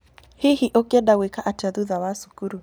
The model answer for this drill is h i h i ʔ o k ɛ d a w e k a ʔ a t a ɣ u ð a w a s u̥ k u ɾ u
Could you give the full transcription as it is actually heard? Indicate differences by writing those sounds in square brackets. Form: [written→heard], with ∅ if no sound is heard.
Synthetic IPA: h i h i ʔ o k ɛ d a w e k a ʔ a t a [ɣ→ð] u ð a w a s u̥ k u ɾ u